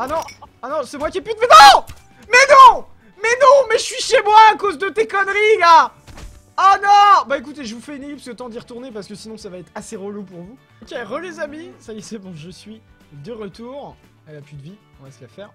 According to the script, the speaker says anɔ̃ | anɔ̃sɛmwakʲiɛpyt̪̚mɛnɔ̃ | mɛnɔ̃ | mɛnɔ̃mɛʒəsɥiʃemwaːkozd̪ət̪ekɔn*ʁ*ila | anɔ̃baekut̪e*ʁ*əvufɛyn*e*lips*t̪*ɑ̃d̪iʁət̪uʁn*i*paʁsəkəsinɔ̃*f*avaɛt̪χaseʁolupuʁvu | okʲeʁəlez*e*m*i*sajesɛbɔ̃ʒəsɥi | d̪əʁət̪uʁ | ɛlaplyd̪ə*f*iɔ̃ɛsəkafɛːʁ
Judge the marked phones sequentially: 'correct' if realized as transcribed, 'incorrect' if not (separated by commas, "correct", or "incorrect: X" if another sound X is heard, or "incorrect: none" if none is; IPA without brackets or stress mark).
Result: correct, incorrect: ʒ, correct, correct, incorrect: e, incorrect: s, incorrect: a, correct, incorrect: v